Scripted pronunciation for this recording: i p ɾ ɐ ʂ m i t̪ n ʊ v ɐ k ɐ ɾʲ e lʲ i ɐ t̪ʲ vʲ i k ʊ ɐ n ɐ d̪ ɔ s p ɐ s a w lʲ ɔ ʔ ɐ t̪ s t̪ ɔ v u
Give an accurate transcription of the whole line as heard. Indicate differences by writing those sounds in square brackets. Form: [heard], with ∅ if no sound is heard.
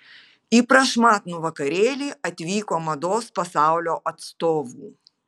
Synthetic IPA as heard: i p ɾ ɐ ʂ m [a] t̪ n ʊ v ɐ k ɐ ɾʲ e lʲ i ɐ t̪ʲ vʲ i k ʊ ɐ [m] ɐ d̪ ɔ s p ɐ s a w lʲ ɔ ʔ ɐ t̪ s t̪ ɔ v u